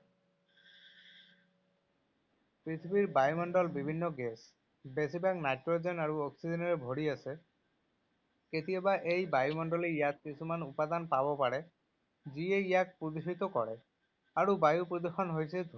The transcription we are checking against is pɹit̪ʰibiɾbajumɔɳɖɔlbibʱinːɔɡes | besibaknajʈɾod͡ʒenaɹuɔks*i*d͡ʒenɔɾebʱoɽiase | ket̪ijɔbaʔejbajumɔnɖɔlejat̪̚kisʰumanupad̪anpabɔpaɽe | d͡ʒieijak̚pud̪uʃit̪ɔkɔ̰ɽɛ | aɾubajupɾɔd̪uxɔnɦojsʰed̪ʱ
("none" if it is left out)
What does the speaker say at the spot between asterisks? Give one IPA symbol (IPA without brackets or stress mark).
i